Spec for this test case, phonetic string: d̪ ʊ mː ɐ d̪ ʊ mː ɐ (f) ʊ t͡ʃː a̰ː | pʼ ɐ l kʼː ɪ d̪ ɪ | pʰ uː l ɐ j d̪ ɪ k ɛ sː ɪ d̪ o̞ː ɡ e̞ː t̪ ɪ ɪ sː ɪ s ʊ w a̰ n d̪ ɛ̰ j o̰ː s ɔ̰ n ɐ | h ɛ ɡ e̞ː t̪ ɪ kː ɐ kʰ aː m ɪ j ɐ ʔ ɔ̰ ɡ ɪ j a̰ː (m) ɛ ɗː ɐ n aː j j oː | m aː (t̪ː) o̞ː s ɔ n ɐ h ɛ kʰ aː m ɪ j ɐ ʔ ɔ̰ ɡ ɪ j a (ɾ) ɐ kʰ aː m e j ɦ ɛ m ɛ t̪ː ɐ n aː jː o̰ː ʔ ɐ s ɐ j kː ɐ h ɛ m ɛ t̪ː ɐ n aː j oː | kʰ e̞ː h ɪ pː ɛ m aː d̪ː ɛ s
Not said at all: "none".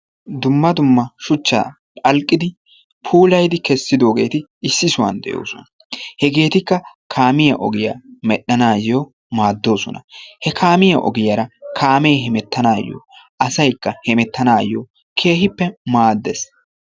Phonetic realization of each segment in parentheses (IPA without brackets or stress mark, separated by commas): ʃ, m, d̪ː, ɾ